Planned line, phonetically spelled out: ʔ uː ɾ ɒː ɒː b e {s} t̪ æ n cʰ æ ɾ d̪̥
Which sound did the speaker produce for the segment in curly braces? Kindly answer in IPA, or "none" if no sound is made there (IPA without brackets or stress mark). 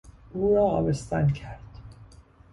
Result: s